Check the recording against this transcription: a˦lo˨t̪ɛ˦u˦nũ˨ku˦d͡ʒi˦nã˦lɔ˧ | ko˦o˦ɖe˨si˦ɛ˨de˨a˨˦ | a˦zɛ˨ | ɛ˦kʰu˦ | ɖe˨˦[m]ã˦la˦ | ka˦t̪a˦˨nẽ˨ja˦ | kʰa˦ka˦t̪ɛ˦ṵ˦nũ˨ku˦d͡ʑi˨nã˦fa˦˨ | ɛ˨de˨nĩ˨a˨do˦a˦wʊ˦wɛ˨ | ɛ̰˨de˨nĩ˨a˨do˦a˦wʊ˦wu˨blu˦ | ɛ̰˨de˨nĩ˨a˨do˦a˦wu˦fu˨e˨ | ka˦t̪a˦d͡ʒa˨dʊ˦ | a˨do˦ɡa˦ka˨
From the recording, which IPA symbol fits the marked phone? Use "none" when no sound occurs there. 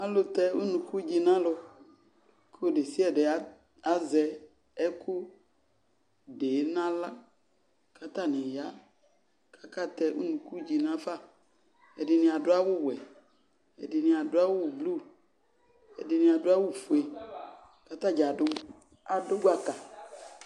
n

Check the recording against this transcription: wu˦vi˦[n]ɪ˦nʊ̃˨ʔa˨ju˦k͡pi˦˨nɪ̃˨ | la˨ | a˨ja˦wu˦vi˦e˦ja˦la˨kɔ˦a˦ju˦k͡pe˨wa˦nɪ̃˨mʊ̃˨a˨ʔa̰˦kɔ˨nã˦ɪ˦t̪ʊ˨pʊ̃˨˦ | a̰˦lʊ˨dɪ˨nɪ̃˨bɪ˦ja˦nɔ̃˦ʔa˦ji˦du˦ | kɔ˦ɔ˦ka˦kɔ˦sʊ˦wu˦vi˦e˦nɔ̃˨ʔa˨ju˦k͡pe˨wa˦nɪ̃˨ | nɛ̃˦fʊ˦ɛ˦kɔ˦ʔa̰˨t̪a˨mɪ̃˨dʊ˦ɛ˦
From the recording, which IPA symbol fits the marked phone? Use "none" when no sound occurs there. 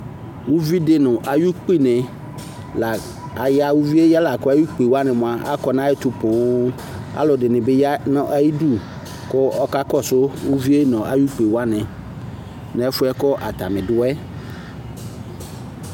d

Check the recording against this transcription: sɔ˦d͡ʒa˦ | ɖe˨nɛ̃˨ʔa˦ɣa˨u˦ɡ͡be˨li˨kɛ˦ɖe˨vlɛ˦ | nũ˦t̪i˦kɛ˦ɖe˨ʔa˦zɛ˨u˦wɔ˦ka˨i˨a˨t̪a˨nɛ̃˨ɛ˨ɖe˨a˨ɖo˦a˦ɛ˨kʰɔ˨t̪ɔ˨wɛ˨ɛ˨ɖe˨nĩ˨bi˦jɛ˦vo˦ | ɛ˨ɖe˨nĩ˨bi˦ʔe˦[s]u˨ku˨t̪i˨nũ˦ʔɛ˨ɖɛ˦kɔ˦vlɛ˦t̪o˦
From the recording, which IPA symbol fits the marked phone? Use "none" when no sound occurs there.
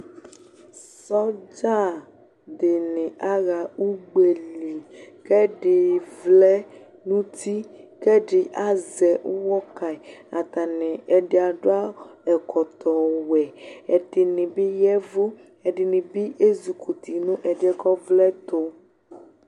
z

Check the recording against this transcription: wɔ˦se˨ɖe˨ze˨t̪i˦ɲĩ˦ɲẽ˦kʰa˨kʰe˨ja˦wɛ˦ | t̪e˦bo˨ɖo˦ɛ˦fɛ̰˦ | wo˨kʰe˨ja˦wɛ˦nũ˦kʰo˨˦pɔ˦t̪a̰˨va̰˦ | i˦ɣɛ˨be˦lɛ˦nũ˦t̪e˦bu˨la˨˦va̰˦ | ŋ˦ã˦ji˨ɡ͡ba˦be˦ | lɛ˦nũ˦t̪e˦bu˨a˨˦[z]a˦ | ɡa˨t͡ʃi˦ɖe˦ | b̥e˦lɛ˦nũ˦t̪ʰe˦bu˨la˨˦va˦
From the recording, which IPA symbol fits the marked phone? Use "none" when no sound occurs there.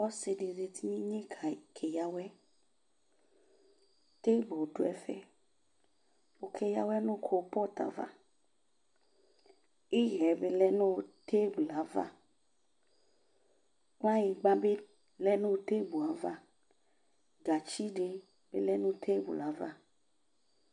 v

